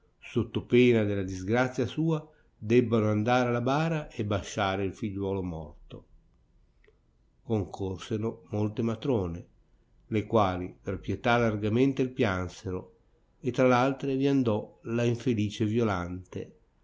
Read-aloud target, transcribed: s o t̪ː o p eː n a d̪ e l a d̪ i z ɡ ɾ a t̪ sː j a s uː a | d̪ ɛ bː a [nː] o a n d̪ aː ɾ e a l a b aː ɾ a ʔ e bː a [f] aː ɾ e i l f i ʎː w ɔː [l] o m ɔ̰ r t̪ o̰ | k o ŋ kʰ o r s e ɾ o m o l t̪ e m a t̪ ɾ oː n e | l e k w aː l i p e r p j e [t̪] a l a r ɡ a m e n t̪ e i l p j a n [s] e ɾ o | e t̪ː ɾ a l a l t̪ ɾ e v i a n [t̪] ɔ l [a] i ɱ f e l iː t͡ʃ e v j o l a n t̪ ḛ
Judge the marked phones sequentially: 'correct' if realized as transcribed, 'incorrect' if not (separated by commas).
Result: incorrect, incorrect, correct, correct, correct, incorrect, correct